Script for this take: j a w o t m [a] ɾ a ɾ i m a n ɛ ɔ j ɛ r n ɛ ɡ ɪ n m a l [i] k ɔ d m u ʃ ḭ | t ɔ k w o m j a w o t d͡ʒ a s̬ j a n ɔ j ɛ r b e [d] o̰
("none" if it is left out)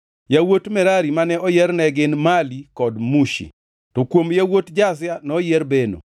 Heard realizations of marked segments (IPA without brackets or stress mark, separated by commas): ɛ, i, n